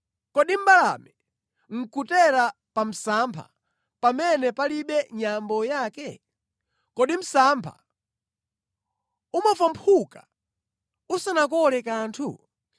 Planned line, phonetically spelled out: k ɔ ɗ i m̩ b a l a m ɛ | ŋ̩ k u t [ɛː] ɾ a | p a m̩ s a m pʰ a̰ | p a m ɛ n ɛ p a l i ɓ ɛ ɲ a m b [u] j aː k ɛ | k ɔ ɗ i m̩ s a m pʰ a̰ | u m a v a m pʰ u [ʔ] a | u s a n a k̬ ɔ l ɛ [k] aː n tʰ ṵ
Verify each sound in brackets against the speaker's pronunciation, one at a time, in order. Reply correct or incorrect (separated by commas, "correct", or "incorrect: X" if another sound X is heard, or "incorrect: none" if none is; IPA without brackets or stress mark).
incorrect: ɛ, incorrect: ɔ, incorrect: k, correct